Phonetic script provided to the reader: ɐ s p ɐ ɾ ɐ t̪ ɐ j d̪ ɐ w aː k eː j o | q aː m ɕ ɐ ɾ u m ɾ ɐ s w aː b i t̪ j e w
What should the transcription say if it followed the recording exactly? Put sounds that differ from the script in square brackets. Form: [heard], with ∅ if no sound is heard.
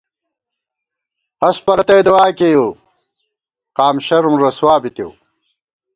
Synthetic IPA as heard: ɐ s p ɐ ɾ ɐ t̪ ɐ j d̪ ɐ w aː k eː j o | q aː m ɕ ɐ ɾ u m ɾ ɐ s w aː b i t̪ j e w

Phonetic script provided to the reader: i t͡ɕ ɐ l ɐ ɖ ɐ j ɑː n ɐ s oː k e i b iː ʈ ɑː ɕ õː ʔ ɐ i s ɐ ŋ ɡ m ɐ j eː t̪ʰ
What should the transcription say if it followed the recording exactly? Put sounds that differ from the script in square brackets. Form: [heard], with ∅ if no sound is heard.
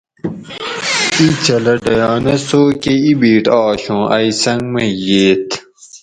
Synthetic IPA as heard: i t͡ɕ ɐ l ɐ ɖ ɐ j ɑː n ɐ s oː k e i b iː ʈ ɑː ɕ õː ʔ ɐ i s ɐ ŋ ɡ m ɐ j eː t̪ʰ

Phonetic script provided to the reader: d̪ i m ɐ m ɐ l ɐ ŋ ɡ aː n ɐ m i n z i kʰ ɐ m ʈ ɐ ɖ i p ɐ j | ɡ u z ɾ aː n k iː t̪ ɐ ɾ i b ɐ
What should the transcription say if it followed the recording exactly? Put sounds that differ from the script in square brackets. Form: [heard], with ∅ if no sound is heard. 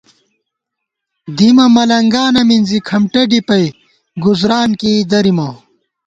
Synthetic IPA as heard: d̪ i m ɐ m ɐ l ɐ ŋ ɡ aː n ɐ m i n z i kʰ ɐ m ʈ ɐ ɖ i p ɐ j | ɡ u z ɾ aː n k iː [d̪] ɐ ɾ i [m] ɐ

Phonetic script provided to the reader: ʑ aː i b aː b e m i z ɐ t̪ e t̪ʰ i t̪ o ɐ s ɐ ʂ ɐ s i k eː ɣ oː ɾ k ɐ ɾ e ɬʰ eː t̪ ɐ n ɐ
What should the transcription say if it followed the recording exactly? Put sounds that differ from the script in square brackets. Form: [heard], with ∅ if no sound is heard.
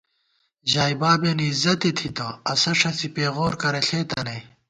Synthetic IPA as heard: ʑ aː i b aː b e [n] i z ɐ t̪ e t̪ʰ i t̪ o ɐ s ɐ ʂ ɐ s i [p] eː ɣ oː ɾ k ɐ ɾ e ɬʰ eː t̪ ɐ n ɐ

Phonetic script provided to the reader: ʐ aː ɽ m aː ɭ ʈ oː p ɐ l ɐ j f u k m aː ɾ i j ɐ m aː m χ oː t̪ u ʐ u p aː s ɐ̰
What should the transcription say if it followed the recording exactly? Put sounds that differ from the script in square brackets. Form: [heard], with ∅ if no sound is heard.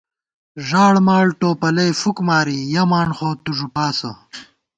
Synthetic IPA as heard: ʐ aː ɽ m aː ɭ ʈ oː p ɐ l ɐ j f u k m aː ɾ i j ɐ m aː [ɳ] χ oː t̪ u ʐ u p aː s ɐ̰

